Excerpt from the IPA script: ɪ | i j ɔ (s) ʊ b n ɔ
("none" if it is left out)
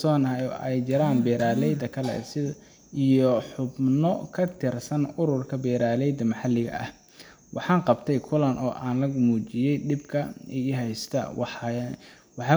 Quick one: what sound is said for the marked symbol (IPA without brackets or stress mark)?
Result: ħ